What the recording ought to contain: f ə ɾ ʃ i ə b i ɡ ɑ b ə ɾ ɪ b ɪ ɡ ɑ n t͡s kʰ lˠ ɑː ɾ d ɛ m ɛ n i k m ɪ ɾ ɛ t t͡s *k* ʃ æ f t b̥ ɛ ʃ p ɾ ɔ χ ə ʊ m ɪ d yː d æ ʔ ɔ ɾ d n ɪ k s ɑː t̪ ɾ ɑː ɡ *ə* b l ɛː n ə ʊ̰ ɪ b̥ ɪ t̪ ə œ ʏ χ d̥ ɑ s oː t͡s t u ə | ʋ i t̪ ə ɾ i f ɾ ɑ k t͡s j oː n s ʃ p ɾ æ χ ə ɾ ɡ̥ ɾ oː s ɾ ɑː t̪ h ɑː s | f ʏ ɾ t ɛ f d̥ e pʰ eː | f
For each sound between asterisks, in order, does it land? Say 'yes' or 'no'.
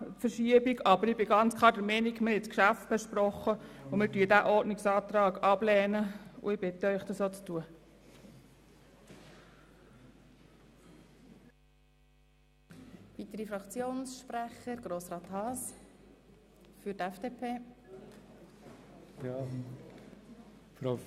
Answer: yes, no

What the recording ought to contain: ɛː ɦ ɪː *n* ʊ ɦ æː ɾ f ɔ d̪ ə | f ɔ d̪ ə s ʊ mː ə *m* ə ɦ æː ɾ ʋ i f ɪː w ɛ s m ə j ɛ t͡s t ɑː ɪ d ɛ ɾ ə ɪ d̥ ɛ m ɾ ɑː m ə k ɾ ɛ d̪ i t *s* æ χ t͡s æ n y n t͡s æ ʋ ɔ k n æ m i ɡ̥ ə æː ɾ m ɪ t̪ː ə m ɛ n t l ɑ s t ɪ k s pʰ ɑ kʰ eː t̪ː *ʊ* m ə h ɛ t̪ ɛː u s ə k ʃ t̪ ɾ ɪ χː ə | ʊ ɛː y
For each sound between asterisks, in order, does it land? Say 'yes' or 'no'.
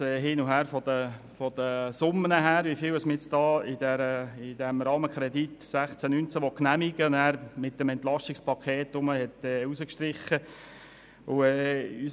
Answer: yes, no, yes, yes

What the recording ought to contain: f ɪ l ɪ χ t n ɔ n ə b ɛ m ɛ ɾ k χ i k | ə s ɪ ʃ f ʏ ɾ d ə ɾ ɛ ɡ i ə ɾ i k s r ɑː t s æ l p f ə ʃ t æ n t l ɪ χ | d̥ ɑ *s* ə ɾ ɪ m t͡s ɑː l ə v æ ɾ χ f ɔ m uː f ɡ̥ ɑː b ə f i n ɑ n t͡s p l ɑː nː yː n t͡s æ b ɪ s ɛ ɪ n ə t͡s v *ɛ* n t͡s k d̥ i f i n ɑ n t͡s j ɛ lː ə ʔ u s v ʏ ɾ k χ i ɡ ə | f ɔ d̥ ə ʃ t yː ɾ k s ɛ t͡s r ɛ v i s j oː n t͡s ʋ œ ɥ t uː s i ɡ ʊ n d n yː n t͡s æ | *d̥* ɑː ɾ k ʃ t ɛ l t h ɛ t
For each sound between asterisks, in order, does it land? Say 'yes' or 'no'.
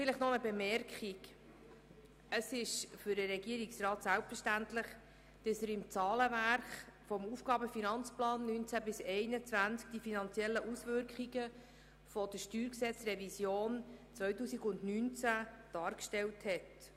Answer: yes, no, yes

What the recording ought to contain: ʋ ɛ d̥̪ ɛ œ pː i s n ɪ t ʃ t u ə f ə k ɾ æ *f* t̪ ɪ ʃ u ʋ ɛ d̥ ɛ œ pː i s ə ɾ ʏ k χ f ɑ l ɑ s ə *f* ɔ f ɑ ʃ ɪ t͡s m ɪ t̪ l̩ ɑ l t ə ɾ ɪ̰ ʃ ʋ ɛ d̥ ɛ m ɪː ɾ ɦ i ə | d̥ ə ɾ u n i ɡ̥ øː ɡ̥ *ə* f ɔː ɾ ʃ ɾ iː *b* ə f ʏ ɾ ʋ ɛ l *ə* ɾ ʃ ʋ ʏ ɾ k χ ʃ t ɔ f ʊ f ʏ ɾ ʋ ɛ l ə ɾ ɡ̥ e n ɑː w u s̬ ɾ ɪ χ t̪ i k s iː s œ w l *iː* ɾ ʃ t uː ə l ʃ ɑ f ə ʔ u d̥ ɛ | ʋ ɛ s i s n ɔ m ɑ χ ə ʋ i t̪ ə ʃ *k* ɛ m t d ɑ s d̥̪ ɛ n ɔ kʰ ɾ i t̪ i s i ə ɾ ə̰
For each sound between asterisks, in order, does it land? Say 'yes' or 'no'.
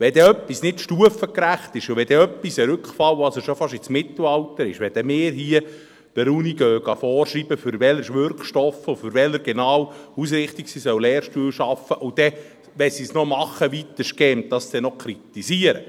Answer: no, no, no, yes, yes, no, yes

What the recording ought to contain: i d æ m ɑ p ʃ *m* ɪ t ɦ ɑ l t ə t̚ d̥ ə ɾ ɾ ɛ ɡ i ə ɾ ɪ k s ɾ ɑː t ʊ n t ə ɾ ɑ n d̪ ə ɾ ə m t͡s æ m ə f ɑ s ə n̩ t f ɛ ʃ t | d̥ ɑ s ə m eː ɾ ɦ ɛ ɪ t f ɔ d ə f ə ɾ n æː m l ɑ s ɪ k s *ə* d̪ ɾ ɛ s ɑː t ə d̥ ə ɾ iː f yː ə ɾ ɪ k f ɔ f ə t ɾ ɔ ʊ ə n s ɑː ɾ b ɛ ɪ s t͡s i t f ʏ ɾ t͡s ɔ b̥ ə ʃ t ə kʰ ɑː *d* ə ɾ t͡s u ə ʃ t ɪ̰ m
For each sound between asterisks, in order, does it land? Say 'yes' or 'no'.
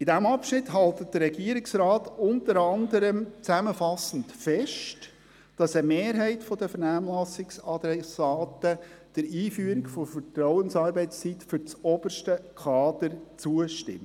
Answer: no, no, yes

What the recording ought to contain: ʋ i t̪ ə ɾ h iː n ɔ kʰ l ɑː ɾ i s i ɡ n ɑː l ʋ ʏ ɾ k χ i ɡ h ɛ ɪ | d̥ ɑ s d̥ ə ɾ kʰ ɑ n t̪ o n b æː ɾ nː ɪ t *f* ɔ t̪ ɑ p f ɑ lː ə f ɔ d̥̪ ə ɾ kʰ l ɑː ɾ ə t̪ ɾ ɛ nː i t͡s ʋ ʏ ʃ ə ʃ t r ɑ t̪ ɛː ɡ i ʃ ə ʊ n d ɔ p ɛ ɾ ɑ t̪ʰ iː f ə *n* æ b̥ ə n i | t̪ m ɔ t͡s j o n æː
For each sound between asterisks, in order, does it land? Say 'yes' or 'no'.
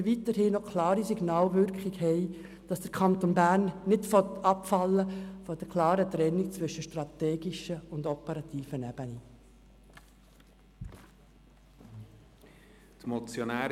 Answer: yes, yes

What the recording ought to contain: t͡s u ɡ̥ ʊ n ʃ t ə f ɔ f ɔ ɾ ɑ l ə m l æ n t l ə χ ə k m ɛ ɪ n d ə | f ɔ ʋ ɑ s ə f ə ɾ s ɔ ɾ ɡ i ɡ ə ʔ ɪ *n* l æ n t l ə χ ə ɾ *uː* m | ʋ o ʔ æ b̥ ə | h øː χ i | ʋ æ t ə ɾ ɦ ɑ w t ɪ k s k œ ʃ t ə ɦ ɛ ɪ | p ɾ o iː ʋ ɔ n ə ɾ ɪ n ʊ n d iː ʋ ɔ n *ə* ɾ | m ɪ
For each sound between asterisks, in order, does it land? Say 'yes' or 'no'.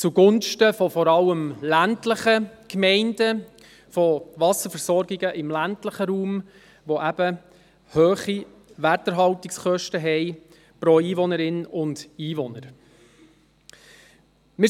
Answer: no, yes, yes

